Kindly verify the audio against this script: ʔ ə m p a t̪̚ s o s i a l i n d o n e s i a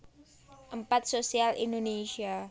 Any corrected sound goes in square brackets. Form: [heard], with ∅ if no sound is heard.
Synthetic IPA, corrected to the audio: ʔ ə m p a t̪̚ s o s i a l i n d o n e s i a